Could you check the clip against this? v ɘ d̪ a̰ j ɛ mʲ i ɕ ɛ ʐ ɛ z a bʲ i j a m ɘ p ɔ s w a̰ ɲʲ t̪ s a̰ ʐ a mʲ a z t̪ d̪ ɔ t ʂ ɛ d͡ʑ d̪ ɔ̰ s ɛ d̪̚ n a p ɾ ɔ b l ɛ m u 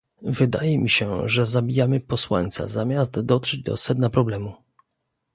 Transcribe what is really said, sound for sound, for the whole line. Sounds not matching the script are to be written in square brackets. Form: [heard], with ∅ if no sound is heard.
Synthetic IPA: v ɘ d̪ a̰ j ɛ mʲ i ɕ ɛ ʐ ɛ z a bʲ i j a m ɘ p ɔ s w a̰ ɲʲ t̪ s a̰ [z] a mʲ a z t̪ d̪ ɔ t ʂ ɛ d͡ʑ d̪ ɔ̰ s ɛ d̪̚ n a p ɾ ɔ b l ɛ m u